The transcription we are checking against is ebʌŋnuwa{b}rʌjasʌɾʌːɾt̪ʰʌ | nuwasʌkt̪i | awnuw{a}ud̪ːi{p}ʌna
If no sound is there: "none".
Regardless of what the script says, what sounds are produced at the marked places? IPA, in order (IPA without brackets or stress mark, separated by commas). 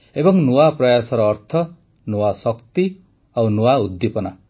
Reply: p, a, p